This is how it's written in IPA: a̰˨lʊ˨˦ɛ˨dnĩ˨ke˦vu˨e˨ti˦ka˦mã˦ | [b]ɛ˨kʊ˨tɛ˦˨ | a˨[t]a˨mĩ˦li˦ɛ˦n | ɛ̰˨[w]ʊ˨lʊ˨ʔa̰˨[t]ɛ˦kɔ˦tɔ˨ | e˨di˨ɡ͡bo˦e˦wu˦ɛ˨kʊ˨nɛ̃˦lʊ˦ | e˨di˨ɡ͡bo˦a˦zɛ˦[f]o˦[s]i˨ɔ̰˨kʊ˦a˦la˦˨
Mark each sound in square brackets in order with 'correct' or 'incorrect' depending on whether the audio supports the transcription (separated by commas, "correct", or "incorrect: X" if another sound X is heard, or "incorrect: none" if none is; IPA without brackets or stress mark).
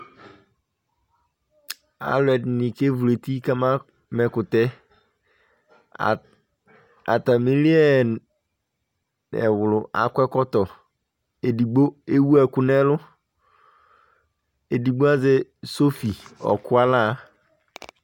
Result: incorrect: m, correct, correct, incorrect: k, incorrect: s, incorrect: f